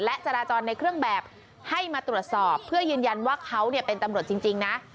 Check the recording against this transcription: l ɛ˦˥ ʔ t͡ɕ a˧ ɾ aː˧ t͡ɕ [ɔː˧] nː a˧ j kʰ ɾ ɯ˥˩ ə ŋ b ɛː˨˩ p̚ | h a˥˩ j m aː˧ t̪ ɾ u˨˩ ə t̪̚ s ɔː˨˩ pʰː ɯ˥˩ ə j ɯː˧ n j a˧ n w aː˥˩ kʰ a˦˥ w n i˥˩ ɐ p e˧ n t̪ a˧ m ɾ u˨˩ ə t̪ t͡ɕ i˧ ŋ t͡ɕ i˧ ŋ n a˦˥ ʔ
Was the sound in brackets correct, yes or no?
yes